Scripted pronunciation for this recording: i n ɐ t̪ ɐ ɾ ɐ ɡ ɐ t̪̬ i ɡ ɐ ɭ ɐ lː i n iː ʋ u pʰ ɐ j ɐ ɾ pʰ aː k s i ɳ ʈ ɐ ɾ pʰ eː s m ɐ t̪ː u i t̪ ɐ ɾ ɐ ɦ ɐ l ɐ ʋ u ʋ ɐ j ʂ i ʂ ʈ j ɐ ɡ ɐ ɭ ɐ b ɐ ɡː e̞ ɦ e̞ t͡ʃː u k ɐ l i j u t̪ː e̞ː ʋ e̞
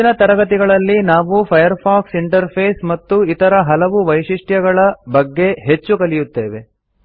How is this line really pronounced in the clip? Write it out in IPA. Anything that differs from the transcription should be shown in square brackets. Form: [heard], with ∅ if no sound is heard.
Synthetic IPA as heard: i n ɐ t̪ ɐ ɾ ɐ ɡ ɐ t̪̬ i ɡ ɐ ɭ ɐ lː i n [aː] ʋ u pʰ ɐ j ɐ ɾ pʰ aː k s i ɳ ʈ ɐ ɾ pʰ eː s m ɐ t̪ː u i t̪ ɐ ɾ ɐ ɦ ɐ l ɐ ʋ u ʋ ɐ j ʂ i ʂ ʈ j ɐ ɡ ɐ ɭ ɐ b ɐ ɡː e̞ ɦ e̞ t͡ʃː u k ɐ l i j u t̪ː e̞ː ʋ e̞